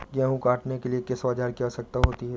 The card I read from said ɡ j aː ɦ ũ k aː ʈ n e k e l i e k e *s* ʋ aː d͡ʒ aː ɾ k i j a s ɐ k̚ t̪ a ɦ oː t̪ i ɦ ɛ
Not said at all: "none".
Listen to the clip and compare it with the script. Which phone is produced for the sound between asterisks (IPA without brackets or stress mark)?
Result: s